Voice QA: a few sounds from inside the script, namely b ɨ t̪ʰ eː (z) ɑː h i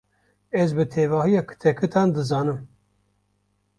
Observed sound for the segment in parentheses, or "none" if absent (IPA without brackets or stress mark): v